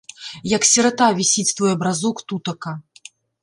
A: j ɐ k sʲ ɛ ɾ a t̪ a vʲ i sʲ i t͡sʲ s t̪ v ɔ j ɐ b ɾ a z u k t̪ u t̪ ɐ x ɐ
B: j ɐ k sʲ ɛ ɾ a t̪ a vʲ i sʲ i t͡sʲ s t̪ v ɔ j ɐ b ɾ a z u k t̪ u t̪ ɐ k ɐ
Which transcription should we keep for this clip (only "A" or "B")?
B